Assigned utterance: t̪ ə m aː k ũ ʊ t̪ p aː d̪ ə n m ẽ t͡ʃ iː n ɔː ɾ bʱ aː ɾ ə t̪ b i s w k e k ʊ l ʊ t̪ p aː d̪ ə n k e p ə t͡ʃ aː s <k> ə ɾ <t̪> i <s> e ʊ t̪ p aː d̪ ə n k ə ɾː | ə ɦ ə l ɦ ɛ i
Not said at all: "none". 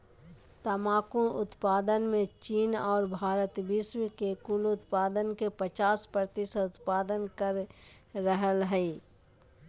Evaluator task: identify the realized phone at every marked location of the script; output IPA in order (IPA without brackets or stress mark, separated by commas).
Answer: p, t̪, s